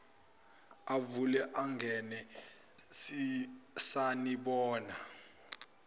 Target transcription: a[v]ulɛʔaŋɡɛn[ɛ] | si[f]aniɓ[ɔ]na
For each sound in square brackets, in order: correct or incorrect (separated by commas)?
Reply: correct, correct, incorrect, incorrect